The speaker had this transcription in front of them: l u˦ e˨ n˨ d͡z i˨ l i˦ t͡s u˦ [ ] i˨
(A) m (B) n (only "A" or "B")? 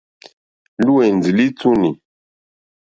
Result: B